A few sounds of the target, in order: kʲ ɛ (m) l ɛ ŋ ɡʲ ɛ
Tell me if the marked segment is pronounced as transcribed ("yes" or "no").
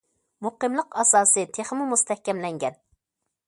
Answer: yes